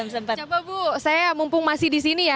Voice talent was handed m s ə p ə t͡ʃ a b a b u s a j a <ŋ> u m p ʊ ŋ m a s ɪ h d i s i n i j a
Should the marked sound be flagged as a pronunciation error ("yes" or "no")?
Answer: yes